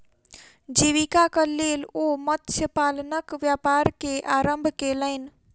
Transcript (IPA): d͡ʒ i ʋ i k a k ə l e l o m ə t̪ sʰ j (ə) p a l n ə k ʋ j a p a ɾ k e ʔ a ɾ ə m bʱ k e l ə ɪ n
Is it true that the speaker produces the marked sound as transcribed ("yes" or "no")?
yes